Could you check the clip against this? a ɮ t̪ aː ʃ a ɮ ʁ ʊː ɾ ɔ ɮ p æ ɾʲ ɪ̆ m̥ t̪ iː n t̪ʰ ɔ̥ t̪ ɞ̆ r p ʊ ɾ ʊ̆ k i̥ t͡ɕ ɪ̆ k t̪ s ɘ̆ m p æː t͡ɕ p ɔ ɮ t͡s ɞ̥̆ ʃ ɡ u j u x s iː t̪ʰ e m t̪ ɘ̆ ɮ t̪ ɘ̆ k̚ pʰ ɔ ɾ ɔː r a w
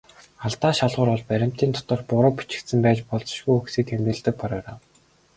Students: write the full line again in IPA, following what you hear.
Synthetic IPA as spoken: a ɮ t̪ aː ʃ a ɮ ʁ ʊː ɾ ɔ ɮ p æ ɾʲ ɪ̆ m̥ t̪ iː n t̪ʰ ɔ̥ t̪ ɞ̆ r p ʊ ɾ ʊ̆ p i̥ t͡ɕ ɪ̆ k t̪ s ɘ̆ m p æː t͡ɕ p ɔ ɮ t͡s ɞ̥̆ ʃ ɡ u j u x s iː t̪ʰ e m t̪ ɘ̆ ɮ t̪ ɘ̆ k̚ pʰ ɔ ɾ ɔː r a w